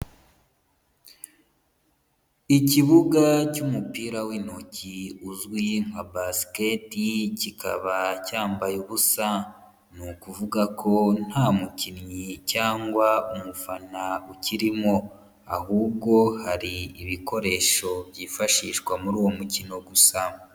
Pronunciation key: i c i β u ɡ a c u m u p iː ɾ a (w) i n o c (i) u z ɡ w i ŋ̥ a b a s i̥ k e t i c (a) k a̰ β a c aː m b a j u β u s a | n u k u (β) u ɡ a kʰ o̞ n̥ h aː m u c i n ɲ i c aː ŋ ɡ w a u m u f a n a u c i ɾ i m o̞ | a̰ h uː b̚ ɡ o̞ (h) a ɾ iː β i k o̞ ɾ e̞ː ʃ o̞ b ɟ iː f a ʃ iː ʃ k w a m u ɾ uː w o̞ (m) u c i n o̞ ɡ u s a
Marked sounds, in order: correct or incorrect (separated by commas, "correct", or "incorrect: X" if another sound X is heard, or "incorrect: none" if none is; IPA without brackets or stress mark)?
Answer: correct, correct, incorrect: i, incorrect: v, correct, correct